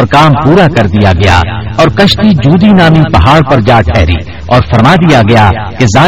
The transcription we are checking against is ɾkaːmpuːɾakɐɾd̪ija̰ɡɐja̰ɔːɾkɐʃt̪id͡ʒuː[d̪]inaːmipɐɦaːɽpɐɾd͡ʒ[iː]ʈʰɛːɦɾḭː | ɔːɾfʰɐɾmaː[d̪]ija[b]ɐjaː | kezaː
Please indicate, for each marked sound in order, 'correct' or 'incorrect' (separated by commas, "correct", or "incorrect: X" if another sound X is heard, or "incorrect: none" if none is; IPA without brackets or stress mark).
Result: correct, incorrect: aː, correct, incorrect: ɡ